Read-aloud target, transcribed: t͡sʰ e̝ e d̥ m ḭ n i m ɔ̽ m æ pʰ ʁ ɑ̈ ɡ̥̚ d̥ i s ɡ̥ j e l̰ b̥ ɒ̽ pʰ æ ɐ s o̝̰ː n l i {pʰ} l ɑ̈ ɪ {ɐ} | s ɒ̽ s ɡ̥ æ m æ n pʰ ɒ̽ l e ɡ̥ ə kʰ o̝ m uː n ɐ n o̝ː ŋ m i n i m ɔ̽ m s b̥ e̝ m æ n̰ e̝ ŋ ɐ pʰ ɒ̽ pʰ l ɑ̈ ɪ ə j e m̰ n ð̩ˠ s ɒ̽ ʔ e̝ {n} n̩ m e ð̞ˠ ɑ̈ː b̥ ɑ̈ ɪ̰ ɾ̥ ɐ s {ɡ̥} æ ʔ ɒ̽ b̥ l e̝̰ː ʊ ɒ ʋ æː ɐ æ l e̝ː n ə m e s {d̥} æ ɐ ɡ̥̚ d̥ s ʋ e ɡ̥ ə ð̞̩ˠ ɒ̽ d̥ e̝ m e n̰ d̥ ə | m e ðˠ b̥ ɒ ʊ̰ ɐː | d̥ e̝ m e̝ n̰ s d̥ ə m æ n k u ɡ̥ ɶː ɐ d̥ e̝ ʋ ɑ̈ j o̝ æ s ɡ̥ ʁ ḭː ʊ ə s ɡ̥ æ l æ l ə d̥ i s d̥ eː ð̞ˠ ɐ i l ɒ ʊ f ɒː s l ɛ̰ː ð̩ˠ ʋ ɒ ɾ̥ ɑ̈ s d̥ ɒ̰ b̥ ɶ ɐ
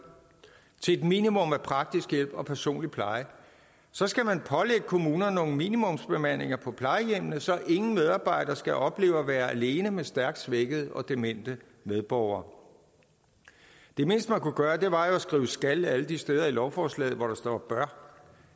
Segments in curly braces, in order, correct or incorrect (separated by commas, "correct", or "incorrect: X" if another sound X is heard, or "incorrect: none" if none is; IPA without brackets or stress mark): correct, incorrect: ə, incorrect: ŋ, correct, correct